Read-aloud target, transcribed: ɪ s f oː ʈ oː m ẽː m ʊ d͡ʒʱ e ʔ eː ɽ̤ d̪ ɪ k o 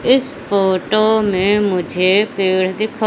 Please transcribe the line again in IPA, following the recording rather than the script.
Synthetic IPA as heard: ɪ s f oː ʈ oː m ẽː m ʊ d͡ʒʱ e p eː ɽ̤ d̪ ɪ kʰ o